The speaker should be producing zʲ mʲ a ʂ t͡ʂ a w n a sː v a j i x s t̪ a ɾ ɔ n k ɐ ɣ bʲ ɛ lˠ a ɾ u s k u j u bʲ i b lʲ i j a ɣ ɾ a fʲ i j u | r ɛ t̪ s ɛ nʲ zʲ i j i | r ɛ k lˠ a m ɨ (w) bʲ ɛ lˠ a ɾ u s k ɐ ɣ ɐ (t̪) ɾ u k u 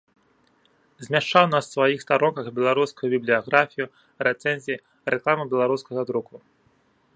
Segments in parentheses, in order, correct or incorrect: incorrect: none, incorrect: d̪

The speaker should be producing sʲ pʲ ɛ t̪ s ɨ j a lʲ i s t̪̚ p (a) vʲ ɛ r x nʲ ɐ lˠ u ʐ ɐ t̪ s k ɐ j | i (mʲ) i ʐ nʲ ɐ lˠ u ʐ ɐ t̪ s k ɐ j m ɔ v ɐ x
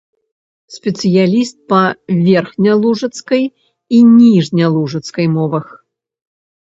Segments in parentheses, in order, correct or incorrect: incorrect: ɐ, incorrect: nʲ

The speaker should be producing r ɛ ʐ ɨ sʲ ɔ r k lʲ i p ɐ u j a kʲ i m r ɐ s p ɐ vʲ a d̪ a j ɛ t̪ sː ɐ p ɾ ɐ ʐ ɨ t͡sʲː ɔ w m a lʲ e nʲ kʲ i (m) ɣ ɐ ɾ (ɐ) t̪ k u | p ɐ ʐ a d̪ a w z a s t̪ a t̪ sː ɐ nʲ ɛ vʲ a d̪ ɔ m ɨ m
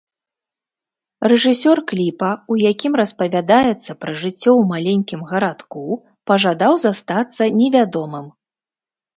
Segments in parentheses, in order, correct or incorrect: correct, incorrect: a

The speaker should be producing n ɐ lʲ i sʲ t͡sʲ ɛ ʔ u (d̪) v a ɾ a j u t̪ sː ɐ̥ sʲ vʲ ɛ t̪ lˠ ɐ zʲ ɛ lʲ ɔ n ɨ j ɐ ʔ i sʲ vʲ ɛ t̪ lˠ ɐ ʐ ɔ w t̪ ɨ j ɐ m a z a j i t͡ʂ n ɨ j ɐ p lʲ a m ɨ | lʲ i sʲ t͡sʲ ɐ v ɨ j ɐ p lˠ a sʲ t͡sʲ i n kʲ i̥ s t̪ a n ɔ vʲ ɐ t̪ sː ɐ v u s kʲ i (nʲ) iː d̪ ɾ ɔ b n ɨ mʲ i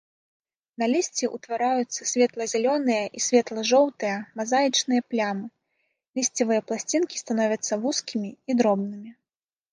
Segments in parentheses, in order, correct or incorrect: incorrect: t̪, incorrect: mʲ

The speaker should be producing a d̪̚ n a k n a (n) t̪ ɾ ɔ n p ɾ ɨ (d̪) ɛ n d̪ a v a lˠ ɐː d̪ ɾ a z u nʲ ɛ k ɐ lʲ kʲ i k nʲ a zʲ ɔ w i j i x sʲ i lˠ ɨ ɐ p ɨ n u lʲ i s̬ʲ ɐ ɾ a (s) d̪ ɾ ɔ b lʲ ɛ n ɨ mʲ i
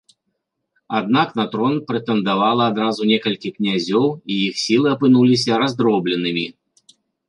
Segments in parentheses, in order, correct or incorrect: incorrect: none, incorrect: t̪, incorrect: z

